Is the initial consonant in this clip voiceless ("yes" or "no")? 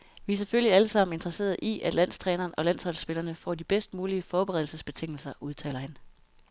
no